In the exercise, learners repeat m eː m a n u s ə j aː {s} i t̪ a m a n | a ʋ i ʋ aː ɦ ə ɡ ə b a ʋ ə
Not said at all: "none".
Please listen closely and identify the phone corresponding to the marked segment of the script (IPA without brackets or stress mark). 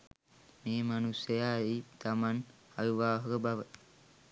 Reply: none